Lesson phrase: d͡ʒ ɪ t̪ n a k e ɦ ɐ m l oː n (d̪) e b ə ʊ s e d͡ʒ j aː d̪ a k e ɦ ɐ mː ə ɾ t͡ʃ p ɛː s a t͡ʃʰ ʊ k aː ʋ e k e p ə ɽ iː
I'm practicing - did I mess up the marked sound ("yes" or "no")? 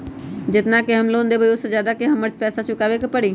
no